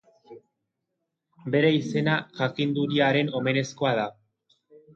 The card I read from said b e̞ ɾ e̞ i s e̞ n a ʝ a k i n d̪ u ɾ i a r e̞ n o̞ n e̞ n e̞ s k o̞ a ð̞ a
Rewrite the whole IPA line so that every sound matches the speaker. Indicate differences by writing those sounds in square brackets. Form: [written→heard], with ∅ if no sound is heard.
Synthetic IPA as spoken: b e̞ ɾ e̞ i s e̞ n a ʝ a k i n d̪ u ɾ i a [r→ɾ] e̞ n o̞ [n→m] e̞ n e̞ s k o̞ a ð̞ a